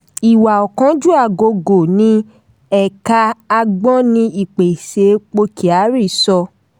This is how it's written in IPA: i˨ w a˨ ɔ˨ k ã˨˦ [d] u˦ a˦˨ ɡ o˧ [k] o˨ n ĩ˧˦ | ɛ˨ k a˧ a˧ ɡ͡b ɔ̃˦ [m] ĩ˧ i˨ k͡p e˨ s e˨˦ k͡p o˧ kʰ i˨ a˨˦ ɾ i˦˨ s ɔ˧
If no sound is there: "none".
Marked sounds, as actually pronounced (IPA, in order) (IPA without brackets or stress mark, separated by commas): d͡ʒ, ɡ, n